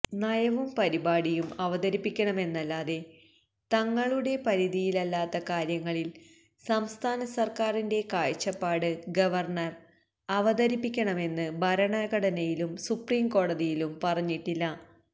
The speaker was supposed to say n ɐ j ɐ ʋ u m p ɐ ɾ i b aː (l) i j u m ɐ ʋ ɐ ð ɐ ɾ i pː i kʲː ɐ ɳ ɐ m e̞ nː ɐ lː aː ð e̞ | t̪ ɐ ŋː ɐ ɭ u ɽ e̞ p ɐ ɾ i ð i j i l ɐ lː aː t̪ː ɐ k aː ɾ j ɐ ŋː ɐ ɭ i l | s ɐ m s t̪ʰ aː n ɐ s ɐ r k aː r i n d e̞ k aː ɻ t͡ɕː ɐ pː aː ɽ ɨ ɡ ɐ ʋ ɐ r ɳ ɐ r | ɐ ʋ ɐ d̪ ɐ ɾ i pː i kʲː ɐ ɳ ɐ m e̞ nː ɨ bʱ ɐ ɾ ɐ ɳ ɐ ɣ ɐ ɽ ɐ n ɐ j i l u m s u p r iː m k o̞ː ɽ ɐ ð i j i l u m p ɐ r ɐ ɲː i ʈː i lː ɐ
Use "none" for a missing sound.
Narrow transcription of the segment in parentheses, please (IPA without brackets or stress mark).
ɽ